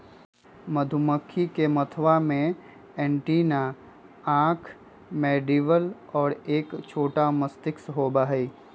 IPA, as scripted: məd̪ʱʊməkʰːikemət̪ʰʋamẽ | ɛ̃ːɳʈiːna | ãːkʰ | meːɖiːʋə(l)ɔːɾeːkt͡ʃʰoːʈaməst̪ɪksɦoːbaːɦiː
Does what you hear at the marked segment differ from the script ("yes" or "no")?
no